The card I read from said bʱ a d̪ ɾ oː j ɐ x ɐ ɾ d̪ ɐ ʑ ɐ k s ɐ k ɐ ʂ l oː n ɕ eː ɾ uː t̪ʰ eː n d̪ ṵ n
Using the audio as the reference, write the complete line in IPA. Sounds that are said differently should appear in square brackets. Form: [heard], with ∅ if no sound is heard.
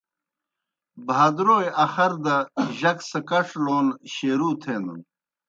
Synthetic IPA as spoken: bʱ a d̪ ɾ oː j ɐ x ɐ ɾ d̪ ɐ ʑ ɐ k s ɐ k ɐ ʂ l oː n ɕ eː ɾ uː t̪ʰ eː n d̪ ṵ n